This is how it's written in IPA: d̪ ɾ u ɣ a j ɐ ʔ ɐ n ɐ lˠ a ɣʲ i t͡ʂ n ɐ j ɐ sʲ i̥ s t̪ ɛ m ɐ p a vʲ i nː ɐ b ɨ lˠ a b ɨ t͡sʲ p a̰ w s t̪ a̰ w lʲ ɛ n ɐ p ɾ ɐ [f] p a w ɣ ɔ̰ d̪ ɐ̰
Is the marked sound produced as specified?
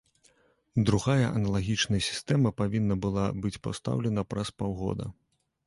no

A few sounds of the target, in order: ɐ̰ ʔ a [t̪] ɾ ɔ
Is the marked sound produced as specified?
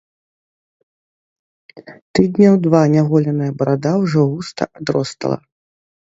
no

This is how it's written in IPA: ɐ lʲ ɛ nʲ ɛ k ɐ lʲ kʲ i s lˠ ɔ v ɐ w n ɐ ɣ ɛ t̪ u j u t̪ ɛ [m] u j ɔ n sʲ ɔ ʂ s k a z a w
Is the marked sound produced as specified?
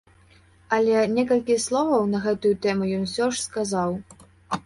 yes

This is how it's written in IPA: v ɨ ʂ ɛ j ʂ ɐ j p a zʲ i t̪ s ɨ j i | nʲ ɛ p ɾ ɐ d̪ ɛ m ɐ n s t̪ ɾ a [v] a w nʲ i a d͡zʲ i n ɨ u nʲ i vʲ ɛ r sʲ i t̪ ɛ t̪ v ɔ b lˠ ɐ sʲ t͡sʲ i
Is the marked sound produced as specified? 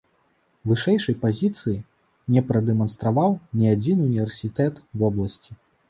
yes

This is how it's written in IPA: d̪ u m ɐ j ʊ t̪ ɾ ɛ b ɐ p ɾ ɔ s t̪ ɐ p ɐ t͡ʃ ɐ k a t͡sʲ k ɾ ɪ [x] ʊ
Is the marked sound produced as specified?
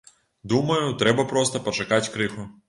yes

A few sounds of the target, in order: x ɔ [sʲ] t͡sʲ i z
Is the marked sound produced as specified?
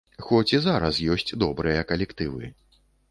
no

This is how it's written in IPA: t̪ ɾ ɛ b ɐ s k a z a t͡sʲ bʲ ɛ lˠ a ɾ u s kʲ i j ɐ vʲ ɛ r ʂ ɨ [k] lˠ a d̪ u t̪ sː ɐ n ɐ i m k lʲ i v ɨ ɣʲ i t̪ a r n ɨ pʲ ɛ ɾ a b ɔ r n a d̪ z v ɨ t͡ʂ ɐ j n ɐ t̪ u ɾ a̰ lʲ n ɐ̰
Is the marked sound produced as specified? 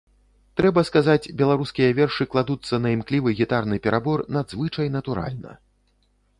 yes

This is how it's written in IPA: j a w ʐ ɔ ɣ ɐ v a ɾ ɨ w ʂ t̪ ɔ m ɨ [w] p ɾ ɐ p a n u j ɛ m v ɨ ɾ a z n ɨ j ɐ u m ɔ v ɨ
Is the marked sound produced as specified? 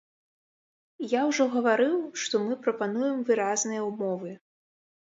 no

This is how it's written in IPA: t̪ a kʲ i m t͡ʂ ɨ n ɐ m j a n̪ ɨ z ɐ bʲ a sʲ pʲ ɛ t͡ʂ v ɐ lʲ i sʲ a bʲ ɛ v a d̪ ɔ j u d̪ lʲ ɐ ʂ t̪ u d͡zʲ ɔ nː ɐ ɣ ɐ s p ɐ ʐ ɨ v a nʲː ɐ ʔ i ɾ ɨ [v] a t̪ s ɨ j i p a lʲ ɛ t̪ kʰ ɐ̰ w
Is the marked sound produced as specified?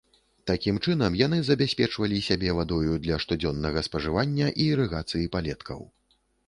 no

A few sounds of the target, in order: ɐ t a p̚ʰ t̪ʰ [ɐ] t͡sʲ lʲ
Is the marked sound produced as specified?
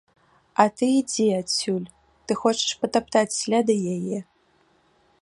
no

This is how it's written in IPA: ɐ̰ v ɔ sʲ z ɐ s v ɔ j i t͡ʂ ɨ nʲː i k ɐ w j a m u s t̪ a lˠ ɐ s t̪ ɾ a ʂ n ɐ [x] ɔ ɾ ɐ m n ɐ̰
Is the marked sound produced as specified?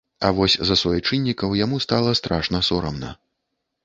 no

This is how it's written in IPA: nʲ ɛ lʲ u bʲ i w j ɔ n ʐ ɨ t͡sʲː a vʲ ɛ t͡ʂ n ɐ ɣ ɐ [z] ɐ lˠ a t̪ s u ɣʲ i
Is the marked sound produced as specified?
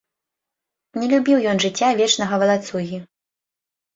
no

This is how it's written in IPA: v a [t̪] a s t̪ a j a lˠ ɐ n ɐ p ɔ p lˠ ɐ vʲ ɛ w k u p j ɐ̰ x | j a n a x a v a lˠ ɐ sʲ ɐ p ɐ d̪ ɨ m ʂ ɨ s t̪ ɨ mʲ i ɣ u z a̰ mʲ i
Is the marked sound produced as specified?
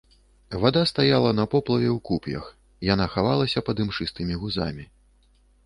no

